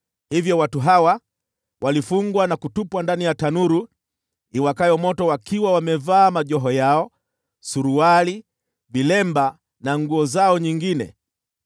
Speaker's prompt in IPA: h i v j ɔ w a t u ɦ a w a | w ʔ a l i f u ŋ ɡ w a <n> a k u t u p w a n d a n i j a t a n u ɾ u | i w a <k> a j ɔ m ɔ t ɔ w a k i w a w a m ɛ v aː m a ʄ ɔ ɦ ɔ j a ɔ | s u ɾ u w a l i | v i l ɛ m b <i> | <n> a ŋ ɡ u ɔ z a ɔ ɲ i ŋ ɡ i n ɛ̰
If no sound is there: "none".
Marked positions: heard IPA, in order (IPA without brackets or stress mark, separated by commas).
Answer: n, k, a, n